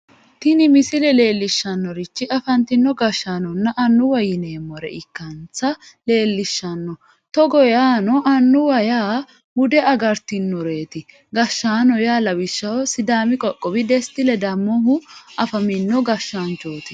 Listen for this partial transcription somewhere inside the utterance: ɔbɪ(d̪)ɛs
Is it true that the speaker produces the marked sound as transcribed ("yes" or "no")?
yes